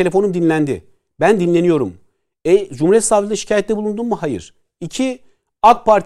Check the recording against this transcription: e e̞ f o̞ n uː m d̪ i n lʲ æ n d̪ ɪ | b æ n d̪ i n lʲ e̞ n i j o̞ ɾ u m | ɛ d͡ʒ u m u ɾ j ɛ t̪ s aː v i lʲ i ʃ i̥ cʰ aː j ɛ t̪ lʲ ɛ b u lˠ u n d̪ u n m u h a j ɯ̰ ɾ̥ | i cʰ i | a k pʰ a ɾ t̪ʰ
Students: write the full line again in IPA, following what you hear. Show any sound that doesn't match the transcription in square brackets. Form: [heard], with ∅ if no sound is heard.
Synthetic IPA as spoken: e e̞ f o̞ n [u] m d̪ i n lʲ æ n d̪ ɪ | b æ n d̪ i n lʲ e̞ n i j o̞ ɾ u m | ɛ d͡ʒ u m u ɾ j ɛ t̪ s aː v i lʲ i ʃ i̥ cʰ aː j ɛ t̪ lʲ ɛ b u lˠ u n d̪ u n m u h a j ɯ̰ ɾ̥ | i cʰ i | a k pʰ a ɾ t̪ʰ